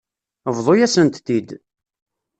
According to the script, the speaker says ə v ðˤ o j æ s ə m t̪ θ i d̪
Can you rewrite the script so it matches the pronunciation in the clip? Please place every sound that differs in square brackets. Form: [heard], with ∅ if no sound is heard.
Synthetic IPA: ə v ðˤ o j æ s ə [n] t̪ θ i d̪